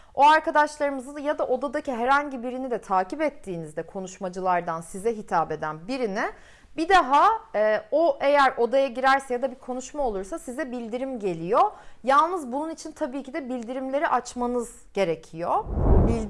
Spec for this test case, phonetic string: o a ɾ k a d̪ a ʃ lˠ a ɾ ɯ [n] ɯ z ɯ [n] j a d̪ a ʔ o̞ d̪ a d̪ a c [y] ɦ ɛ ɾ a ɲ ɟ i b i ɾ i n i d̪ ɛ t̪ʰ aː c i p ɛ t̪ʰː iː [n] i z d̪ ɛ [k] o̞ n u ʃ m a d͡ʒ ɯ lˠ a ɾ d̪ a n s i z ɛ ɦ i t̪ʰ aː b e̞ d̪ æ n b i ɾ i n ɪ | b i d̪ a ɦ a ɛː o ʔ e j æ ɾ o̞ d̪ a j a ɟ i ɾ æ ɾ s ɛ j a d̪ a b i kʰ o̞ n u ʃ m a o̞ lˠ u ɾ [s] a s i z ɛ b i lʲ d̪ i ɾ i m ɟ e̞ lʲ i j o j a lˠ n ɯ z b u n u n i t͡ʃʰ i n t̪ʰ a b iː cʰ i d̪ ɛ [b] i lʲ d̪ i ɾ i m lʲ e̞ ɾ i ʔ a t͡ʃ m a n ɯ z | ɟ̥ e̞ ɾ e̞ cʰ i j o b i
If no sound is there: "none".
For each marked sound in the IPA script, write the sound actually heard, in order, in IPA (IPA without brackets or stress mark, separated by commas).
m, n, i, n, kʰ, s, b